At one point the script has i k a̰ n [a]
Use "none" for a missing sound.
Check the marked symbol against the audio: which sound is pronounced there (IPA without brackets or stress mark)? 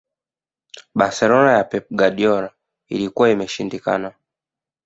a